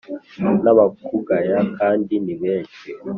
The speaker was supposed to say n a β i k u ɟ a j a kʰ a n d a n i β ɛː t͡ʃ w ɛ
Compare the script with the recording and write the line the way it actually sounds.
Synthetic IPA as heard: n a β a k u ɡ a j a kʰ a n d i n i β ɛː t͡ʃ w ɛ